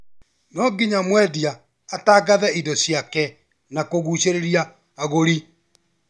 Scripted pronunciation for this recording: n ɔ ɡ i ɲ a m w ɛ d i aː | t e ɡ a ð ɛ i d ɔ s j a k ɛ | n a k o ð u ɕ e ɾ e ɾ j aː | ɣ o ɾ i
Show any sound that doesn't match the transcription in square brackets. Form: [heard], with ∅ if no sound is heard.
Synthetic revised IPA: n ɔ ɡ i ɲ a m w ɛ d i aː | t [a] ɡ a ð ɛ i d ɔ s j a k ɛ | n a k o [ɣ] u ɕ e ɾ e ɾ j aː | ɣ o ɾ i

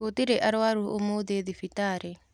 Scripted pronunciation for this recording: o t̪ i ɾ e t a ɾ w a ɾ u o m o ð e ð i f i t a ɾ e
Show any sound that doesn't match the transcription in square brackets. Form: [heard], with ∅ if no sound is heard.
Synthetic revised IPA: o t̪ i ɾ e [ʔ] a ɾ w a ɾ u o m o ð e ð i f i t a ɾ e

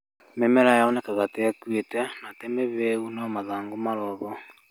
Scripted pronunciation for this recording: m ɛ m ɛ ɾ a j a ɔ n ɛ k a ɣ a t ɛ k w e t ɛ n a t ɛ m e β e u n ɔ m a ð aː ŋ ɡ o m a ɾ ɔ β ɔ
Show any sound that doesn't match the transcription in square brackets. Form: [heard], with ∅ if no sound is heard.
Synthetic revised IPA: m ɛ m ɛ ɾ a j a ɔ n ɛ k a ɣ a t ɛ k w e t ɛ n a t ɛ m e β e u n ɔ m a ð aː ŋ ɡ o m a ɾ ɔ β ɔ

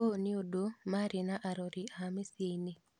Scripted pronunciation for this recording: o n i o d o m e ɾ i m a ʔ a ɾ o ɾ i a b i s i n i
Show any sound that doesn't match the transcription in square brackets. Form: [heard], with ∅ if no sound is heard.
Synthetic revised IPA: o n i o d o m [a] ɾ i [n] a ʔ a ɾ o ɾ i a [m] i s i n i

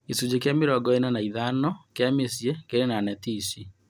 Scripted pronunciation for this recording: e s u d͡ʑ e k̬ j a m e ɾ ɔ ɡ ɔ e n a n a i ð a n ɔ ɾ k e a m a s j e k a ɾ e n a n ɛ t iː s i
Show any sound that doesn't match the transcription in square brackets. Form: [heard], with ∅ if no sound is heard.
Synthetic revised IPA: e s u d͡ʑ e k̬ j a m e ɾ ɔ ɡ ɔ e n a n a i ð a n ɔ [∅] k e a m [e] s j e k [e] ɾ e n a n ɛ t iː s i

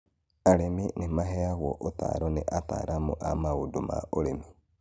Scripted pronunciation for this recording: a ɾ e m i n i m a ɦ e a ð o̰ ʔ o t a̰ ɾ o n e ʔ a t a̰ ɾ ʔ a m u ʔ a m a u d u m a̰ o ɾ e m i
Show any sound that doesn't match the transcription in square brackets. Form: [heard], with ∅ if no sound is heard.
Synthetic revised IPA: a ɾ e m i n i m a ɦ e a [ɣ] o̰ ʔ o t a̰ ɾ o n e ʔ a t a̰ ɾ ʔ a m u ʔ a m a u d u m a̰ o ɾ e m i

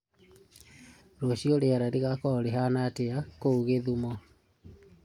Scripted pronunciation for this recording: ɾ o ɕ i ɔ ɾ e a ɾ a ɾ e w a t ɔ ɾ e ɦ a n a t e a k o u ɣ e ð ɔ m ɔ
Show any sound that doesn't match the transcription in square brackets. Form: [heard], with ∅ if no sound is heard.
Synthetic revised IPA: ɾ o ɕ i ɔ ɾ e a ɾ a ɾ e [ɣ] a [k] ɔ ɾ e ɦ a n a t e a k o u ɣ e ð [u] m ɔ

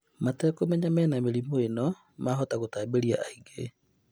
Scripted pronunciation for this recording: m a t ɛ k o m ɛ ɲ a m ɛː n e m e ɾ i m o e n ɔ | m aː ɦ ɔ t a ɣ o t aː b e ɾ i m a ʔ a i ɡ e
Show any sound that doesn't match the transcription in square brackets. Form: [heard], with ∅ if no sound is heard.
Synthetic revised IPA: m a t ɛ k o m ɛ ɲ a m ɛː n [a] m e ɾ i m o e n ɔ | m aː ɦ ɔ t a ɣ o t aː b e ɾ i [∅] a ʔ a i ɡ e

